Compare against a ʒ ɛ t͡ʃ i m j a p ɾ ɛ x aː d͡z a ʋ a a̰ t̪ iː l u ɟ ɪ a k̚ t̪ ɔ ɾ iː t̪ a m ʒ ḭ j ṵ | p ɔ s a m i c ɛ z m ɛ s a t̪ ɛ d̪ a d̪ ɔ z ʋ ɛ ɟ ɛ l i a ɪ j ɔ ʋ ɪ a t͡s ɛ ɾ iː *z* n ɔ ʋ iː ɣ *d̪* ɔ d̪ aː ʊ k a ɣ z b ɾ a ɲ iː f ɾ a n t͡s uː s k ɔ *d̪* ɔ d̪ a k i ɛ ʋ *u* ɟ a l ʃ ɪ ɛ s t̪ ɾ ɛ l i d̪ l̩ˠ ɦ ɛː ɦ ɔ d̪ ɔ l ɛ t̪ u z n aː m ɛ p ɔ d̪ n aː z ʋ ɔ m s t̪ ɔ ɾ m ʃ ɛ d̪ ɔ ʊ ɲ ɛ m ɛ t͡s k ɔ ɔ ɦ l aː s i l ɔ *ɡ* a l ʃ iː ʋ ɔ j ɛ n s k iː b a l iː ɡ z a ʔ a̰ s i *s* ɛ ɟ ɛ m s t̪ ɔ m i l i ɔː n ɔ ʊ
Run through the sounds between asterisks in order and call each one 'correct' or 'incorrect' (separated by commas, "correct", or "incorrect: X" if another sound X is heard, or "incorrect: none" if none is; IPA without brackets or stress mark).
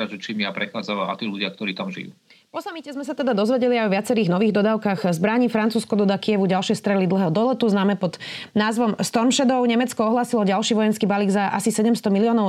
incorrect: ɣ, correct, correct, correct, incorrect: ɟ, correct